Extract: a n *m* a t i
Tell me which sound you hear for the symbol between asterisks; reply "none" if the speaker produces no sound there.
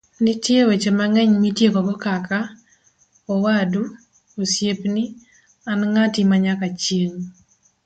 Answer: ŋ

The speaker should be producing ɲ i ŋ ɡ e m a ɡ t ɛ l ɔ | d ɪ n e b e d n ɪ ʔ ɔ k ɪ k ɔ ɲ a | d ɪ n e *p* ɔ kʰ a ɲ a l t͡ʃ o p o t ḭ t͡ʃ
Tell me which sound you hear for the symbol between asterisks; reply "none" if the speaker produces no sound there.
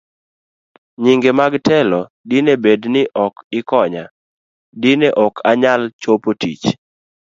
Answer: ʔ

